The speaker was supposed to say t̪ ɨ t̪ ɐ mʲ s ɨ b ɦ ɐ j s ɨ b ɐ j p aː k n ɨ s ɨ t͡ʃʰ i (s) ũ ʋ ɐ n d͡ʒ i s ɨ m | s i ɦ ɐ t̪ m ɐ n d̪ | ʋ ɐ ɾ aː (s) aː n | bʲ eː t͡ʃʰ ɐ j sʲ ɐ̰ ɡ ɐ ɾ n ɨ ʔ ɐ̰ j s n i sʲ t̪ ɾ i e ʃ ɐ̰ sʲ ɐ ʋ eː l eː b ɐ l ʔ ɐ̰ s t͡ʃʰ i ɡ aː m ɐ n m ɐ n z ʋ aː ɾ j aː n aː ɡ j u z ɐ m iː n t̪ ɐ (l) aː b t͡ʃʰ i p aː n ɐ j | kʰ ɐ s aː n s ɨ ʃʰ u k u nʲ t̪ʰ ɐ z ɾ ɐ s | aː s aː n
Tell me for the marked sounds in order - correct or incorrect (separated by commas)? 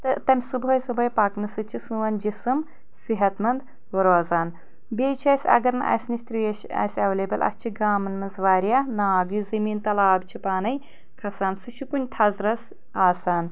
correct, incorrect, correct